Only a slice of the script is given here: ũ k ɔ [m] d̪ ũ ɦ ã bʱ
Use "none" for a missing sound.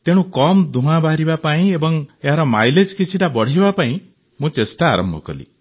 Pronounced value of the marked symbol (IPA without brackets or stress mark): m